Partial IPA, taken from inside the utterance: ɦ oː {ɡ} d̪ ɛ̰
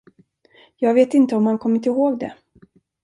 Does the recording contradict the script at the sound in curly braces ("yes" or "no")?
no